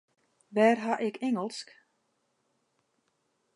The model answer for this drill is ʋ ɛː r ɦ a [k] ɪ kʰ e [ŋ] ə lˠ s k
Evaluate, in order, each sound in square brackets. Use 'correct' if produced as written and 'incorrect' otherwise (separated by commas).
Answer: incorrect, correct